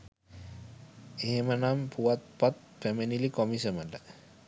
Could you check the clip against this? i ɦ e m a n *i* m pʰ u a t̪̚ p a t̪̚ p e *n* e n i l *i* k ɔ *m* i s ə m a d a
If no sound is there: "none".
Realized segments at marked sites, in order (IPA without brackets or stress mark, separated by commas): a, m, i, m